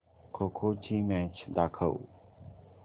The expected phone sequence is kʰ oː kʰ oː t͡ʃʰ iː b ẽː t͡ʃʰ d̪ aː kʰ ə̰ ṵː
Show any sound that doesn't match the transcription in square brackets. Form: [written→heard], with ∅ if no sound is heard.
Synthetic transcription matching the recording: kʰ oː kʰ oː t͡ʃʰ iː [b→m] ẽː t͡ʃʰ d̪ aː kʰ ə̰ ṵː